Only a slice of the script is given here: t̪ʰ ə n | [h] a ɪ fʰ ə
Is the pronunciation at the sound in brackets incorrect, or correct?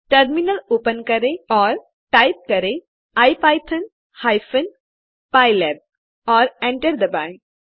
correct